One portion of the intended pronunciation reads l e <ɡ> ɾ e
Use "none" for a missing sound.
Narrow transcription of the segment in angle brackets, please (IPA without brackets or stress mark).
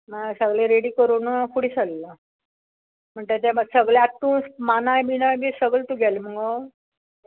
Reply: none